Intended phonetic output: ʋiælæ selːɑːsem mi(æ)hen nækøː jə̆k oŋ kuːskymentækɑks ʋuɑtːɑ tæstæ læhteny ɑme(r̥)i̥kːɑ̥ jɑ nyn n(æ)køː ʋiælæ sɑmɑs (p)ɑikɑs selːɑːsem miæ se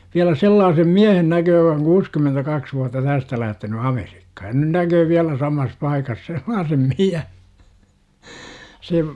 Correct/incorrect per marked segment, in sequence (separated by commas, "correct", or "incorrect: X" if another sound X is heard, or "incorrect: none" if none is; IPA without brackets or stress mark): correct, correct, correct, correct